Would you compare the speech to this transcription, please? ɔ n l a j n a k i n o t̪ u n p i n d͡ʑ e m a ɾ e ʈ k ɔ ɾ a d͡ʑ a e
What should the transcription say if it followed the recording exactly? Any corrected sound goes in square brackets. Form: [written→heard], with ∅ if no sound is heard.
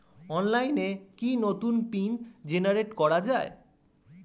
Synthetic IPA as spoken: ɔ n l a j n [a→e] k i n o t̪ u n p i n d͡ʑ e [m→n] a ɾ e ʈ k ɔ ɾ a d͡ʑ a e

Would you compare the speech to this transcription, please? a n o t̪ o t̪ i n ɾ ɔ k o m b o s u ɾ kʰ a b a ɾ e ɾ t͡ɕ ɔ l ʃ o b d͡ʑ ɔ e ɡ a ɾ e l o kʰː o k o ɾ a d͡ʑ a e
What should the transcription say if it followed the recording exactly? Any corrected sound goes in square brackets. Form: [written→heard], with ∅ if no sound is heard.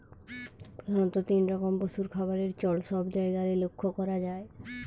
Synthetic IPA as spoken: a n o t̪ o t̪ i n ɾ ɔ k o m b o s u ɾ kʰ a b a ɾ e ɾ t͡ɕ ɔ l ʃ [o→ɔ] b d͡ʑ ɔ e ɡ a ɾ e l o kʰː o k [o→ɔ] ɾ a d͡ʑ a e

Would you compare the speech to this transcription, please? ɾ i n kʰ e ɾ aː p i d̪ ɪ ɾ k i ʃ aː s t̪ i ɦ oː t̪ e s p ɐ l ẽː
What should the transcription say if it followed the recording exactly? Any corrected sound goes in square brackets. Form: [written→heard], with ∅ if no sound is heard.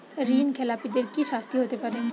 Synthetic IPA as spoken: ɾ [i→iː] n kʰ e [ɾ→l] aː p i d̪ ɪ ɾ k i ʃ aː s t̪ i ɦ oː t̪ e [s→∅] p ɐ [l→ɾ] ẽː

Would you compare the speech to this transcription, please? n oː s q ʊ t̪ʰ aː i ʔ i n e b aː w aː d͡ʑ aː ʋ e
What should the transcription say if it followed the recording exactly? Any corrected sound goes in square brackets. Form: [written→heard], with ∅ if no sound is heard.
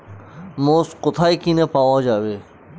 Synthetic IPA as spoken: [n→m] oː s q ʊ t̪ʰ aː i [ʔ→k] i n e [b→p] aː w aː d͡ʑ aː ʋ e

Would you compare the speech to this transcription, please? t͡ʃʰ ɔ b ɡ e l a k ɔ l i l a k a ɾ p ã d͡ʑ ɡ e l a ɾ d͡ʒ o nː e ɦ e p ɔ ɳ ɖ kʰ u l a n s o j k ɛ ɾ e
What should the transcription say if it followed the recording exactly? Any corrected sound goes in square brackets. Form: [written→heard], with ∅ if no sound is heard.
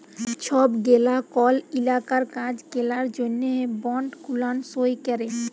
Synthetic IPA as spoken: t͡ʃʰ ɔ b ɡ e l a k ɔ l i l a k a ɾ [p→k] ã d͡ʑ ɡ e l a ɾ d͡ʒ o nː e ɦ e [p→b] ɔ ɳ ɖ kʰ u l a n s o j k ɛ ɾ e

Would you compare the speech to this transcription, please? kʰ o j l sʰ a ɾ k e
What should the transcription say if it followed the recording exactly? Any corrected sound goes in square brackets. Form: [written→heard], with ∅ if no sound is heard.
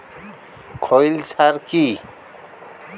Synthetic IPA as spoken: kʰ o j l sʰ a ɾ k [e→i]

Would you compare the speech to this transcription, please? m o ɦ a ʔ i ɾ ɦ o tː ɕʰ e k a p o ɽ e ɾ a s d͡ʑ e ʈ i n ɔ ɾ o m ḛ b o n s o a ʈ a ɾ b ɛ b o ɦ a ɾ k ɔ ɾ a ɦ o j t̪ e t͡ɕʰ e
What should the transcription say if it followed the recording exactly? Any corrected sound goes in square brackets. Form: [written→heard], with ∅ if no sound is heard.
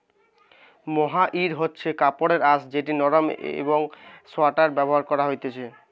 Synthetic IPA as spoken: m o ɦ a ʔ i ɾ ɦ o tː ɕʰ e k a p o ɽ e ɾ a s d͡ʑ e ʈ i n ɔ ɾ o m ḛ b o [n→ŋ] s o a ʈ a ɾ b ɛ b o ɦ a ɾ k ɔ ɾ a ɦ o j t̪ e t͡ɕʰ e

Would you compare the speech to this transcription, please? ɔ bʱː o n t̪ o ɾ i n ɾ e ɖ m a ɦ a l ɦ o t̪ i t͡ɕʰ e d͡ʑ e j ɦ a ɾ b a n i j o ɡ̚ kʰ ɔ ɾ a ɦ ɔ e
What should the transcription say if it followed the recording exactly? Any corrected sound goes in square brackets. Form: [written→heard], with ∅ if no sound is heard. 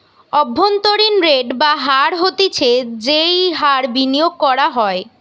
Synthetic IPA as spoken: ɔ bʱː o n t̪ o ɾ i n ɾ e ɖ [m→b] a ɦ a [l→ɾ] ɦ o t̪ i t͡ɕʰ e d͡ʑ e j ɦ a ɾ b [a→i] n i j o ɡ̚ [kʰ→k] ɔ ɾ a ɦ ɔ e

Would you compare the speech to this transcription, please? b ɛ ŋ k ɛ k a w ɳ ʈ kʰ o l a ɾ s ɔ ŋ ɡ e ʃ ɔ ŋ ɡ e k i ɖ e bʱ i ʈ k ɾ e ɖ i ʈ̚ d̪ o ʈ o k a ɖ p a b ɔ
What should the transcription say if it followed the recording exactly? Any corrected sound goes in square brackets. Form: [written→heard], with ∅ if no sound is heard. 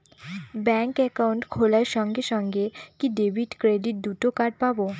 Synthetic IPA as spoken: b ɛ ŋ k ɛ k a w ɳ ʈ kʰ o l a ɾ [s→ʃ] ɔ ŋ ɡ e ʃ ɔ ŋ ɡ e k i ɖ e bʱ i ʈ k ɾ e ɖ i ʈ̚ d̪ [o→u] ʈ o k a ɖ p a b [ɔ→o]

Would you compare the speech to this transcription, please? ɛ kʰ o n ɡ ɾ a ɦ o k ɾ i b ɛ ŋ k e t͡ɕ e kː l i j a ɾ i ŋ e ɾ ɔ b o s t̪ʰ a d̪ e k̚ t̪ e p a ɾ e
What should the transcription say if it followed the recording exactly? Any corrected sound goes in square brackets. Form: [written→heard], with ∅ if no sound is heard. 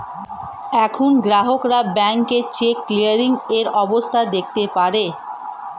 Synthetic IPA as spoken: ɛ kʰ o n ɡ ɾ a ɦ o k ɾ [i→a] b ɛ ŋ k e t͡ɕ e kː l i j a ɾ i ŋ e ɾ ɔ b o s t̪ʰ a d̪ e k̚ t̪ e p a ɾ e

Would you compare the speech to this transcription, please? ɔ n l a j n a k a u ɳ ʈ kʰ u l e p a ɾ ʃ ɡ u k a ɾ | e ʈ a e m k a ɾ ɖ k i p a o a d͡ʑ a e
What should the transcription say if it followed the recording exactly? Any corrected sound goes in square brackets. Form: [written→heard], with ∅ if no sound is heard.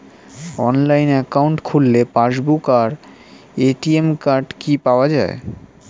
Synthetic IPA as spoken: ɔ n l a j n [a→ɛ] k a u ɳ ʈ kʰ u [l→lː] e p a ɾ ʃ [ɡ→b] u k a ɾ | e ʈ [a→i] e m k a ɾ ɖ k i p a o a d͡ʑ a e

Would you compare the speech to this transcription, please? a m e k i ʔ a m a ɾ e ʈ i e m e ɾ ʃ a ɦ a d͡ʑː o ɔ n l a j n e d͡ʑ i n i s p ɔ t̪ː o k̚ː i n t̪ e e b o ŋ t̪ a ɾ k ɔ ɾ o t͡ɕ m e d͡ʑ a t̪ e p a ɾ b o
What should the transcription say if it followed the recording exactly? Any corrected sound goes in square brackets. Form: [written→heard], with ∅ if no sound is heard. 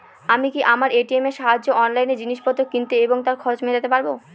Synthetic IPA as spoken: a m [e→i] k i ʔ a m a ɾ e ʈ i e m e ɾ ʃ a ɦ a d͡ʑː o ɔ n l a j n e d͡ʑ i n i [s→ʃ] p ɔ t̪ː o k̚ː i n t̪ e e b o ŋ t̪ a ɾ [k→kʰ] ɔ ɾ o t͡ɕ m e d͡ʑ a t̪ e p a ɾ b o

